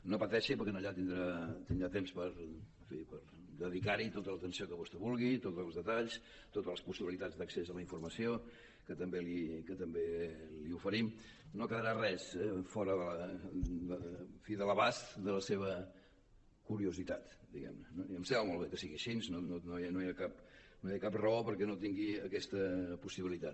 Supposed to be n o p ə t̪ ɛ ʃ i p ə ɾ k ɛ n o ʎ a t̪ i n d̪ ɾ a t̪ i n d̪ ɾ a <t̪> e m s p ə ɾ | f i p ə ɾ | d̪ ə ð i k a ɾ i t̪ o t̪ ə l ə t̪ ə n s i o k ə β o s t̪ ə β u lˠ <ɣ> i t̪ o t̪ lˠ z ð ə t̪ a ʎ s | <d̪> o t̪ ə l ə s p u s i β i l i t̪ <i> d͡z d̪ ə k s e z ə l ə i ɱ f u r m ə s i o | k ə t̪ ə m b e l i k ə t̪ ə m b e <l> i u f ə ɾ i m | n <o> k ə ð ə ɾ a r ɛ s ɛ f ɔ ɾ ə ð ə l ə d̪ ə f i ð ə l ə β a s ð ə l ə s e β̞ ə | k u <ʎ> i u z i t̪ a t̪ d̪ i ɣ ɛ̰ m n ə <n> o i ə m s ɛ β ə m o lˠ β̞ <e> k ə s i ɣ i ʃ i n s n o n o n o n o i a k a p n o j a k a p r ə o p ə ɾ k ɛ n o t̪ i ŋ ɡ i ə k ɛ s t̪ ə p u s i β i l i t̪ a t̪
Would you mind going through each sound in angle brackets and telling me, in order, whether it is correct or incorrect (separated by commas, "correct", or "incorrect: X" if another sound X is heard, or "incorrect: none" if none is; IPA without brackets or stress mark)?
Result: correct, correct, incorrect: t̪, incorrect: a, correct, correct, incorrect: ɾ, correct, correct